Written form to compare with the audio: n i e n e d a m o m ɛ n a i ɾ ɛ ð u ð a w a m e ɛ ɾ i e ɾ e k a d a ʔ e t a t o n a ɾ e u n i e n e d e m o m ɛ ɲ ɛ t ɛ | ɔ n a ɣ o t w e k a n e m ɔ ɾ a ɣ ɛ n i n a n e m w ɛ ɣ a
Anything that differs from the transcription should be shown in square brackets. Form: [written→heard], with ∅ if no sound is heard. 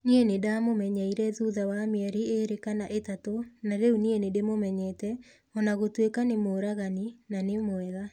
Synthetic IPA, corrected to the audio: n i e n e d a m o m ɛ [n→ɲ] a i ɾ ɛ ð u ð a w a m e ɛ ɾ i e ɾ e k a [d→n] a ʔ e t a t o n a ɾ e u n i e n e d e m o m ɛ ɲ ɛ t ɛ | ɔ n a ɣ o t w e k a n e m [ɔ→o] ɾ a ɣ [ɛ→a] n i n a n e m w ɛ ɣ a